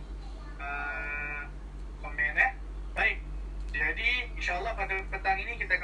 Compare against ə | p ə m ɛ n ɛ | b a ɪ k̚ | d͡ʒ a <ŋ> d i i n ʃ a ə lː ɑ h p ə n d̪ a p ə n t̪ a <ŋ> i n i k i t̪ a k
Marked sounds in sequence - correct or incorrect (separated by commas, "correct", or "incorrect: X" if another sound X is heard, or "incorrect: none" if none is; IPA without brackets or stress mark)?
incorrect: none, correct